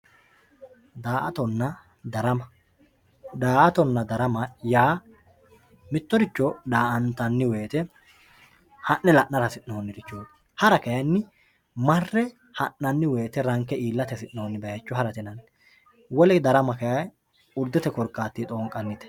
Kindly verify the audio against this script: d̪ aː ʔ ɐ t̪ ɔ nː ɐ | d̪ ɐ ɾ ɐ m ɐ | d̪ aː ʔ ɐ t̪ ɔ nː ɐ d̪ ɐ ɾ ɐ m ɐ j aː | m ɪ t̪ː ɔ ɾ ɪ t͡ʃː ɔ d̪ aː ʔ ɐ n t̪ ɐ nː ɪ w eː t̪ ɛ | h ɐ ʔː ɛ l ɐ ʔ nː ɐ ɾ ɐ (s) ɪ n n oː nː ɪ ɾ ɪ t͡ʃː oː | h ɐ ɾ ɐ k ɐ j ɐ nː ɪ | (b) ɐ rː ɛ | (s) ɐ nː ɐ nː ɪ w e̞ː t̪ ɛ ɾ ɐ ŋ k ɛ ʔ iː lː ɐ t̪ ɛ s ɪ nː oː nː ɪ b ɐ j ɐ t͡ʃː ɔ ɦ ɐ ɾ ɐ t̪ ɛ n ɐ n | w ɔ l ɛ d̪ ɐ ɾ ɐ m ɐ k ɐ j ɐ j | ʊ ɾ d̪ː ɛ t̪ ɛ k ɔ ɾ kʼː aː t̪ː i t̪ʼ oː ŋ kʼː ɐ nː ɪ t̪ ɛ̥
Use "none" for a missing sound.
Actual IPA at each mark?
s, m, h

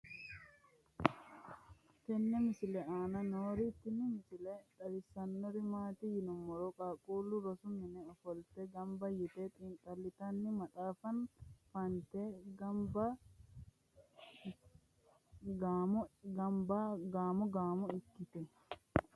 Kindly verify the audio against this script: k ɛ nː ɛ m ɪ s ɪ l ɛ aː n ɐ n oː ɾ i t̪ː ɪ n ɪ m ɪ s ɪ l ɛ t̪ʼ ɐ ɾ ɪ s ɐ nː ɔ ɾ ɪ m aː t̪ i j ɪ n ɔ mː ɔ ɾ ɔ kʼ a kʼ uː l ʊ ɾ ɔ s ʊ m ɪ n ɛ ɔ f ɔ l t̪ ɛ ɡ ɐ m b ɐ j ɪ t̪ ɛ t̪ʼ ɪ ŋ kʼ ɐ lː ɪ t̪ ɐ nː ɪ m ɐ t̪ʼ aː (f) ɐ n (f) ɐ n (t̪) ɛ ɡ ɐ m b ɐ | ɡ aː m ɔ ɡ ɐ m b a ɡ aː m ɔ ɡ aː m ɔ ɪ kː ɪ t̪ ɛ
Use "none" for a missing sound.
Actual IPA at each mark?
f, f, t̪

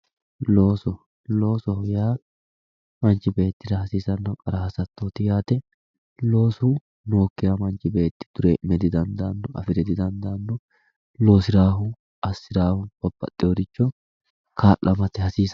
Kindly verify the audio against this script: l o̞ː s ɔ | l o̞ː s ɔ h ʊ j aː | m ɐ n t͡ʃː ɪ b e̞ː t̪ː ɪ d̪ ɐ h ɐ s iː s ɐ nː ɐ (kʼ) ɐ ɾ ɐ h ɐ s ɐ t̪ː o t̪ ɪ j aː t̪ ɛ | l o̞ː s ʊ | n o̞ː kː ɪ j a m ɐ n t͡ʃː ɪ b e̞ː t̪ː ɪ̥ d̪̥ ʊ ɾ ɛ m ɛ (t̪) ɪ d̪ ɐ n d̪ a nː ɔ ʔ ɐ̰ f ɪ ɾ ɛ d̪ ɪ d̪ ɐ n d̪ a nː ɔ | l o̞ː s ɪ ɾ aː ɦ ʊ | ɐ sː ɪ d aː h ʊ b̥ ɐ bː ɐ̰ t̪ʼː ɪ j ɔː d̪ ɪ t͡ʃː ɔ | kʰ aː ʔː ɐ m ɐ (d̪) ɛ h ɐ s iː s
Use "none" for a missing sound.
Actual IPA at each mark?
kʼ, d̪, t̪

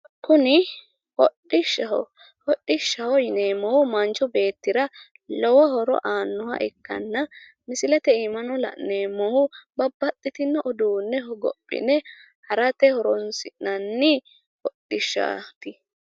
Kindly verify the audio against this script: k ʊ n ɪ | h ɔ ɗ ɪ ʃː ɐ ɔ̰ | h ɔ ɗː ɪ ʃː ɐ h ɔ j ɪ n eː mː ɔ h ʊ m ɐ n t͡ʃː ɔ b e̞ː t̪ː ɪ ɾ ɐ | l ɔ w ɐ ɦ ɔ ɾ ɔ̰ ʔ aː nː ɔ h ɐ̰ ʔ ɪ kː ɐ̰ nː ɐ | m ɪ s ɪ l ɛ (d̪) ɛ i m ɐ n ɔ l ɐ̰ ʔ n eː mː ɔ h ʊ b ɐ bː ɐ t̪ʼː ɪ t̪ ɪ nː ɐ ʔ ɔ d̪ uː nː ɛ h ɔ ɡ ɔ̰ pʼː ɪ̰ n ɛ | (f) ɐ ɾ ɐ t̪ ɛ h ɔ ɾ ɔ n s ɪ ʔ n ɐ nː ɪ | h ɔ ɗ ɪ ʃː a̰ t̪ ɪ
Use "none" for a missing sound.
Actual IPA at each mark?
t̪, h

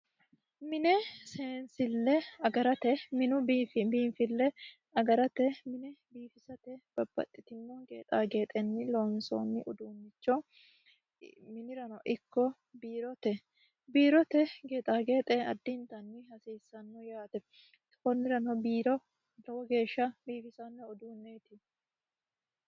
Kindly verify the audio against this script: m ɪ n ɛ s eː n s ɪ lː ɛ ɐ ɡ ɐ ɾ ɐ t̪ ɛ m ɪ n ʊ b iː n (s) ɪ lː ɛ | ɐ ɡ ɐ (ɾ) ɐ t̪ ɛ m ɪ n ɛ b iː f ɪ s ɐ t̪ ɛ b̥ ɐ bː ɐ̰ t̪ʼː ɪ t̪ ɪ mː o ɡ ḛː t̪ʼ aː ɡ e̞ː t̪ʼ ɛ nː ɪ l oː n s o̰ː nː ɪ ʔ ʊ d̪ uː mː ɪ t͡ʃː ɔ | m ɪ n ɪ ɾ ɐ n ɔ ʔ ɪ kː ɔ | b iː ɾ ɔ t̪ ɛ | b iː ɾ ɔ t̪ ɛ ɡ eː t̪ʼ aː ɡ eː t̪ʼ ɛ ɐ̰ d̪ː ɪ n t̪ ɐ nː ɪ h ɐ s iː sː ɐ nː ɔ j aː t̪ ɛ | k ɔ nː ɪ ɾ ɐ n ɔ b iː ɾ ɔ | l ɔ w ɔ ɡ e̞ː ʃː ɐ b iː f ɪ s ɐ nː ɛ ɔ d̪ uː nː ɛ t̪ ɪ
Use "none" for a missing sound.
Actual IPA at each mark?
f, ɾ

